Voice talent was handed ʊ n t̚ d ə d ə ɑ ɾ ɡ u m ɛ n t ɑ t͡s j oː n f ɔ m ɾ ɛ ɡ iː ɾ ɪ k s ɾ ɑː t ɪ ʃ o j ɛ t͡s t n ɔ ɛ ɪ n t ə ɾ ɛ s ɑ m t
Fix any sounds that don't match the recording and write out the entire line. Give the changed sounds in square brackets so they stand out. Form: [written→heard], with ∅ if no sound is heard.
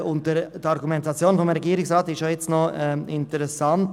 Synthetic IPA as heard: ʊ n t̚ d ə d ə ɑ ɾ ɡ u m ɛ n t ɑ t͡s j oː n f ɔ m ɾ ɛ ɡ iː ɾ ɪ k s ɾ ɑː t ɪ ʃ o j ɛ t͡s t n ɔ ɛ ɪ n t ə ɾ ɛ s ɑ [m→n] t